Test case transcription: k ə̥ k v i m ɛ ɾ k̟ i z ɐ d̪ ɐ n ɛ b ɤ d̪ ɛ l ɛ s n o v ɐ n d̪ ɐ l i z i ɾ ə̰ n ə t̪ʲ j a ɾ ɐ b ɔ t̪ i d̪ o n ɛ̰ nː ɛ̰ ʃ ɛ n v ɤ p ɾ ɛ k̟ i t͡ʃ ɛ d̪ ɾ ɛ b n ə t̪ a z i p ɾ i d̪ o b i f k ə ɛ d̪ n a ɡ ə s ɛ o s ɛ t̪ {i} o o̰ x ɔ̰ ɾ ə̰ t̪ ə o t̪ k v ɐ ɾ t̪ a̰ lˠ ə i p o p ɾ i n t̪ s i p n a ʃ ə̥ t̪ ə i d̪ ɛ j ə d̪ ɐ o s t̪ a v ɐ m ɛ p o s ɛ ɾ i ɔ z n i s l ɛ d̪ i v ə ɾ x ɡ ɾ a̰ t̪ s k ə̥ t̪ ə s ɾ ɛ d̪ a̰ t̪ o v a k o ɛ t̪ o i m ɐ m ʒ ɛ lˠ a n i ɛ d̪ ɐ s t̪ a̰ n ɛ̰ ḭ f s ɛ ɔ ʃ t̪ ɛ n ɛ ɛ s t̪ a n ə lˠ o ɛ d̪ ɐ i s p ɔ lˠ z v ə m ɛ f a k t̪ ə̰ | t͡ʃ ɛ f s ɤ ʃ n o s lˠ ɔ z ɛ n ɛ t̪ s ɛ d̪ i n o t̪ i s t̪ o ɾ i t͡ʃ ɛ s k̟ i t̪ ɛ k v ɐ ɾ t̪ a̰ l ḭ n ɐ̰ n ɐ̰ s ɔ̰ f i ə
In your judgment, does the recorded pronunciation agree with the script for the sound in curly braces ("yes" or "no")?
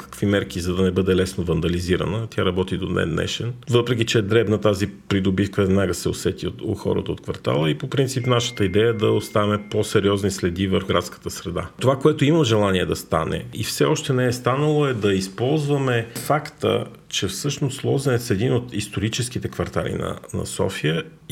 yes